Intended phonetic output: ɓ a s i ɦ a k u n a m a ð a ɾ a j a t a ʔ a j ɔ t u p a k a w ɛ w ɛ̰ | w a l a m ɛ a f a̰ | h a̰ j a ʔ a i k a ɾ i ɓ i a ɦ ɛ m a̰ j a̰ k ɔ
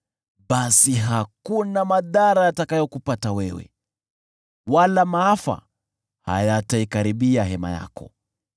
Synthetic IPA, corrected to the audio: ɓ a s i ɦ a k u n a m a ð a ɾ a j a t a k a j ɔ k u p a t a w ɛ w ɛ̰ | w a l a m a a f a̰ | h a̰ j a t a i k a ɾ i ɓ i a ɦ ɛ m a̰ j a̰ k ɔ